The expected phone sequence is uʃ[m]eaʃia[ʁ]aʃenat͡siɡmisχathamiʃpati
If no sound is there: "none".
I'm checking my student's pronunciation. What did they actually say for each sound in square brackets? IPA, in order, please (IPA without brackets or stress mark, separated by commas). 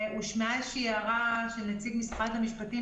m, ʁ